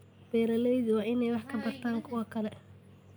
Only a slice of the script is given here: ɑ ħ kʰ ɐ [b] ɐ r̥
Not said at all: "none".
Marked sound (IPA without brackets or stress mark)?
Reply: b